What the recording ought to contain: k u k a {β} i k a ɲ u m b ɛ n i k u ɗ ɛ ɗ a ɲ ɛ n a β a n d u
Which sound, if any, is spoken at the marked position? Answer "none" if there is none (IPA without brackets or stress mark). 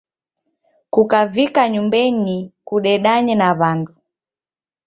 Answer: v